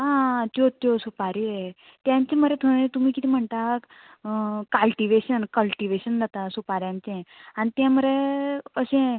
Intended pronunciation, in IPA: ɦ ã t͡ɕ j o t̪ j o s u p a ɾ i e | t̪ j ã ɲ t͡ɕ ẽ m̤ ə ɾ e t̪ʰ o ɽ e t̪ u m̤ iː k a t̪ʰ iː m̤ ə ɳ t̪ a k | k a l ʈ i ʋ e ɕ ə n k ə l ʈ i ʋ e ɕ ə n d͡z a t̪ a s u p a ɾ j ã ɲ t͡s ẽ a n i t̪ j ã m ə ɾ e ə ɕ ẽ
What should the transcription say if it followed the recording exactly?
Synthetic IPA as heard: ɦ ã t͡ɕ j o t̪ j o s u p a ɾ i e | t̪ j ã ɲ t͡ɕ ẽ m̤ ə ɾ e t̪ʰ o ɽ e t̪ u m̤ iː k i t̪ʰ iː m̤ ə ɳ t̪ a k | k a l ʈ i ʋ e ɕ ə n k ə l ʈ i ʋ e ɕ ə n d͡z a t̪ a s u p a ɾ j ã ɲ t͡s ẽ a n i t̪ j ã m ə ɾ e ə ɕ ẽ